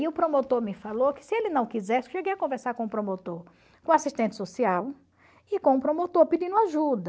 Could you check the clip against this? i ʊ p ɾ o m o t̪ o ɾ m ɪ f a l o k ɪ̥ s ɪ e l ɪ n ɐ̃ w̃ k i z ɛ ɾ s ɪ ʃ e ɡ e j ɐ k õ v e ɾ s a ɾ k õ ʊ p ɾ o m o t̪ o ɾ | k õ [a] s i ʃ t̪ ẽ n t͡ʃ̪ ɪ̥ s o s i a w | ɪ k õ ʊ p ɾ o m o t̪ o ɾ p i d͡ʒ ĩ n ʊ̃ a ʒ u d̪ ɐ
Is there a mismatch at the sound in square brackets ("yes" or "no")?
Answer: no